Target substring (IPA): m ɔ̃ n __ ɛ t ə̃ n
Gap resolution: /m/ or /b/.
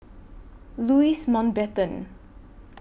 b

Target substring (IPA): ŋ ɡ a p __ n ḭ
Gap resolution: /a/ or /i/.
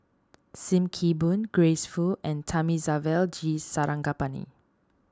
a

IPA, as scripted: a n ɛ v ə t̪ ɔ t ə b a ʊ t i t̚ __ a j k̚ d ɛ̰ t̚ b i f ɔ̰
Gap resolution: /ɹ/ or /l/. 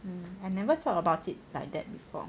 l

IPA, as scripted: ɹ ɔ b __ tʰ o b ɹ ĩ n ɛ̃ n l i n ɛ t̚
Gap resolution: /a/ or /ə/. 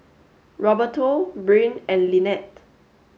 ə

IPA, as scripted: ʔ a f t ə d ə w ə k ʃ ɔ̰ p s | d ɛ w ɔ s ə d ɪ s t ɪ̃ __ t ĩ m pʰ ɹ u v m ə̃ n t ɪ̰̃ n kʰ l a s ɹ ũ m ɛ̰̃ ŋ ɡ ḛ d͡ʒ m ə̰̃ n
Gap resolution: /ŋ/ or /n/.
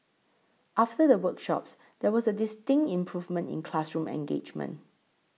ŋ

